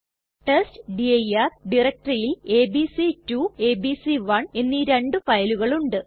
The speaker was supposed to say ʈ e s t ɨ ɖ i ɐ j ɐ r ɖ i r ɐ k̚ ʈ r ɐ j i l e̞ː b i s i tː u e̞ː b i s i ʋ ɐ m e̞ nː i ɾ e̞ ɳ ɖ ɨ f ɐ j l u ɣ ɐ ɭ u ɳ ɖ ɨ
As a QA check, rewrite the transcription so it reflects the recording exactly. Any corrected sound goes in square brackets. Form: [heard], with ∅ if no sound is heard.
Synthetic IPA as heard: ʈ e s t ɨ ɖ i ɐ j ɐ r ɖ i r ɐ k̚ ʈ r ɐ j i l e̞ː b i s i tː u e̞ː b i s i ʋ ɐ [ɳ] e̞ nː i ɾ e̞ ɳ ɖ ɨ f ɐ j l u ɣ ɐ ɭ u ɳ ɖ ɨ